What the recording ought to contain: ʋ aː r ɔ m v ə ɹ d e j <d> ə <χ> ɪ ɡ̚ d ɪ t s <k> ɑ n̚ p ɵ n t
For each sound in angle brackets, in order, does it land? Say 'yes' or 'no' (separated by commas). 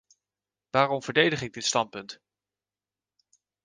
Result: yes, yes, no